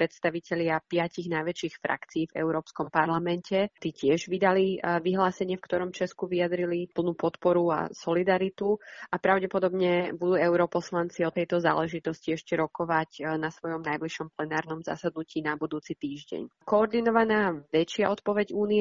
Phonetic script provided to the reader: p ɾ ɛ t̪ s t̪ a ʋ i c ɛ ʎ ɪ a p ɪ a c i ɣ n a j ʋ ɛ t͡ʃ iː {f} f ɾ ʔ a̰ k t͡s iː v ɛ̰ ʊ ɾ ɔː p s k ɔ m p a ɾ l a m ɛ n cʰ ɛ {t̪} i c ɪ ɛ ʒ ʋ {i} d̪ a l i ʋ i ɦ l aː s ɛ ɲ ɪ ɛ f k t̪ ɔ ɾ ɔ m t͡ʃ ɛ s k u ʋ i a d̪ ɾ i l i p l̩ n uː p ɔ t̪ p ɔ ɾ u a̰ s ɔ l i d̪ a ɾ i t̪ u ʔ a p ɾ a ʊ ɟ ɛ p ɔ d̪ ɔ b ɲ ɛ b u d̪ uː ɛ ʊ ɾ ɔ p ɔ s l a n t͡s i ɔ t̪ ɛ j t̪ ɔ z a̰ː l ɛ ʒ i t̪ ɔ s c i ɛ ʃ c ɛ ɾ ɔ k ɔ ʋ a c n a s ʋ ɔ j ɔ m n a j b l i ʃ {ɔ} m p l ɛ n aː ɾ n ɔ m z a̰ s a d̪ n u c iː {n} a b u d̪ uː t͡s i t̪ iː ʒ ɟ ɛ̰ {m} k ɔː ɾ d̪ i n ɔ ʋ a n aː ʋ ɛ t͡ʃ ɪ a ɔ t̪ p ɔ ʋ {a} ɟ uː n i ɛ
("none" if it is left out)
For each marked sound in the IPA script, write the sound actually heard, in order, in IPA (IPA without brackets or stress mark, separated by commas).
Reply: x, t̪, i, ɔ, n, ɲ, ɛ